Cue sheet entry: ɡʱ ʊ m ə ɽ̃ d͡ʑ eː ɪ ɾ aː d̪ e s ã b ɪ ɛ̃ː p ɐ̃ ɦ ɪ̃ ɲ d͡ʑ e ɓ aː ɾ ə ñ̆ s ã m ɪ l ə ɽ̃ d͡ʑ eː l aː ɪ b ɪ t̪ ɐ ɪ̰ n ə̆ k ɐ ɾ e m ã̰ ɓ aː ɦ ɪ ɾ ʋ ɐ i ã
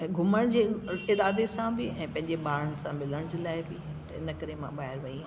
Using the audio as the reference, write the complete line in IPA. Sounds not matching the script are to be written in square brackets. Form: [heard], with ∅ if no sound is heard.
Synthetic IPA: ɡʱ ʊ m ə ɽ̃ d͡ʑ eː ɪ ɾ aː d̪ e s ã b ɪ ɛ̃ː p ɐ̃ ɦ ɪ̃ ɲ d͡ʑ e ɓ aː ɾ ə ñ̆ s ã m ɪ l ə ɽ̃ d͡ʑ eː l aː ɪ b ɪ t̪ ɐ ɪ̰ n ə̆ k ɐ ɾ e m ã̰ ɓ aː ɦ ɪ ɾ ʋ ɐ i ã